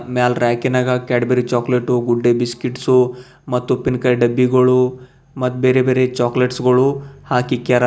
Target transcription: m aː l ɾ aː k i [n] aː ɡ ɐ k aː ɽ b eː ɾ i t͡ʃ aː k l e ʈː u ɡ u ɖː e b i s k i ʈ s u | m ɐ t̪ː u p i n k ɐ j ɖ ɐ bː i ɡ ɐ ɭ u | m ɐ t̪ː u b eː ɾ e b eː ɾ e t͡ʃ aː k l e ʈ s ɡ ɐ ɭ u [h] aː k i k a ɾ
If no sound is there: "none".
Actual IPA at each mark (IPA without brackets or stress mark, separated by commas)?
n, h